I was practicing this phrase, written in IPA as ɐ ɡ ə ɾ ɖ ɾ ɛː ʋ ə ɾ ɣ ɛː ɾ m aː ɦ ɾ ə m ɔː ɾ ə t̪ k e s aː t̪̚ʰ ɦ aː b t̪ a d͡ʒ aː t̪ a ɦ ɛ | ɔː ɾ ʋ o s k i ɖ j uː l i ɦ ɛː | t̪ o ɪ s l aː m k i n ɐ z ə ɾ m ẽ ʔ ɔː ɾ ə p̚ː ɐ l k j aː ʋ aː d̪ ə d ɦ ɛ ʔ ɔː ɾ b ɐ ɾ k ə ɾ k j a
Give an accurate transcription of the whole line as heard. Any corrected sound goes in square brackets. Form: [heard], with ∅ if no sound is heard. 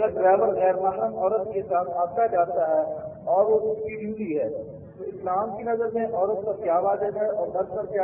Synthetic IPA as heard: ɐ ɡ ə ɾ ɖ ɾ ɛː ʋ ə ɾ ɣ ɛː ɾ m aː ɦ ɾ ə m ɔː ɾ ə t̪ k e s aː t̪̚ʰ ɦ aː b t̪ a d͡ʒ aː t̪ a ɦ ɛ | ɔː ɾ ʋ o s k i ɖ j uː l i ɦ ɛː | t̪ o ɪ s l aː m k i n ɐ z ə ɾ m ẽ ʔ ɔː ɾ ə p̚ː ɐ [ɾ] k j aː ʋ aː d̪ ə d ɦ ɛ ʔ ɔː ɾ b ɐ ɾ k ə ɾ k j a